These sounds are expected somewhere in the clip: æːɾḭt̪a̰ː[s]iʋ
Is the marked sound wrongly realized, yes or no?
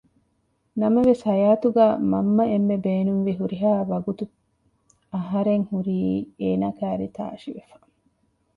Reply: yes